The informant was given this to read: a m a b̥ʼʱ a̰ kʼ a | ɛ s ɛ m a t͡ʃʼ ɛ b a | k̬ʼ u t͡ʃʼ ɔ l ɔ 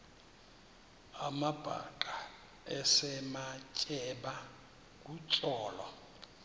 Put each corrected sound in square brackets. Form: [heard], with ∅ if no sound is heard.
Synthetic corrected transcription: a m a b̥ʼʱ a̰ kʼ a | ɛ s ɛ m a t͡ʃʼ ɛ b a | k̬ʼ u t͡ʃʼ [ɔː] l ɔ